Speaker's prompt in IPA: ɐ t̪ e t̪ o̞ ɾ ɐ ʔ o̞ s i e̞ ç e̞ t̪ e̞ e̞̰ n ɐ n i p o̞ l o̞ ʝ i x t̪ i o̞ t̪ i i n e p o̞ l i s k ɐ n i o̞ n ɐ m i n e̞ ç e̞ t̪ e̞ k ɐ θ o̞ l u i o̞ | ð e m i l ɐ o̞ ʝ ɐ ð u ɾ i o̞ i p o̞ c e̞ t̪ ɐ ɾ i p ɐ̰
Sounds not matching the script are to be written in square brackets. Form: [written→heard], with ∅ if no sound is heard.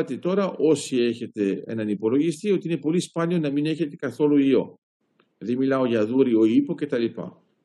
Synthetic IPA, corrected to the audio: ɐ t̪ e t̪ o̞ ɾ ɐ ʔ o̞ s i e̞ ç e̞ t̪ e̞ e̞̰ n ɐ n i p o̞ l o̞ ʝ i [x→s] t̪ i o̞ t̪ i i n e p o̞ l i s [k→p] ɐ n i o̞ n ɐ m i n e̞ ç e̞ t̪ e̞ k ɐ θ o̞ l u i o̞ | ð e m i l ɐ o̞ ʝ ɐ ð u ɾ i o̞ i p o̞ c e̞ t̪ ɐ [ɾ→l] i p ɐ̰